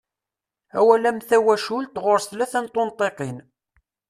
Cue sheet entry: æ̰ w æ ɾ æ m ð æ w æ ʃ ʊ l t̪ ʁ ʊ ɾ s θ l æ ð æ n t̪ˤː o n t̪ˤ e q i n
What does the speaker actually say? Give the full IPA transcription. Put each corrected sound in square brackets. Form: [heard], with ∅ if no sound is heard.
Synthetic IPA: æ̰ w æ [l] æ m [θ] æ w æ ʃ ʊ l t̪ ʁ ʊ ɾ s θ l æ [θ] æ n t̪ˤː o n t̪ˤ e q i n

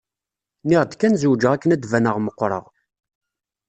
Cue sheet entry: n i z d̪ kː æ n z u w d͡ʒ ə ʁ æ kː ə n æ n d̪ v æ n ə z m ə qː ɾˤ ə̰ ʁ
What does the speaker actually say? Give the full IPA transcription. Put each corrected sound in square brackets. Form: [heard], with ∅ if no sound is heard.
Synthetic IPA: n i [ʁ] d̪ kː æ n z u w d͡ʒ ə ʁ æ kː ə n æ [∅] d̪ v æ n ə [ʁ] m ə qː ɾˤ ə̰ ʁ

